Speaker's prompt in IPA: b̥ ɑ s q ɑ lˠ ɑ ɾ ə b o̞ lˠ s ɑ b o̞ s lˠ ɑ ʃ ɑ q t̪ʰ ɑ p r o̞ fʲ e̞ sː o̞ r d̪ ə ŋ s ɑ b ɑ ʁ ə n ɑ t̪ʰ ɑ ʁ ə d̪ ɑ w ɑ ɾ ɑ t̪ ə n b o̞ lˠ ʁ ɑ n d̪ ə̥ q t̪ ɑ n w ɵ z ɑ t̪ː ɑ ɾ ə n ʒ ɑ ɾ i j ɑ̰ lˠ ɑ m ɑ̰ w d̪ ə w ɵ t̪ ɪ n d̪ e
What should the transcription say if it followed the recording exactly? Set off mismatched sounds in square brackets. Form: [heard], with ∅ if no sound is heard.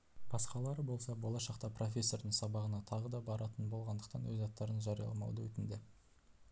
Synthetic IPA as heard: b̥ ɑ s q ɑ lˠ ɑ ɾ ə b o̞ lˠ s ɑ b o̞ [∅] lˠ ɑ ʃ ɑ q [t̪] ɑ p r o̞ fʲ e̞ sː o̞ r d̪ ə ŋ s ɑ b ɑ ʁ ə n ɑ t̪ʰ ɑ ʁ ə d̪ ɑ [b] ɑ ɾ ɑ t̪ ə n b o̞ lˠ ʁ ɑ n d̪ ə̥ q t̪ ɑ n w ɵ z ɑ t̪ː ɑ ɾ ə n ʒ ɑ ɾ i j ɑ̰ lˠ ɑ m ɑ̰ w d̪ ə w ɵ t̪ ɪ n d̪ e